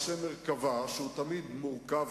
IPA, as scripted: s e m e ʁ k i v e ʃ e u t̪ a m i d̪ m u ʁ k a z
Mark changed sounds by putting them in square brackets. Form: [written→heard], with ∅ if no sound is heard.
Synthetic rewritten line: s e m e ʁ k [i→a] v [e→a] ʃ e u t̪ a m i d̪ m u ʁ k a [z→v]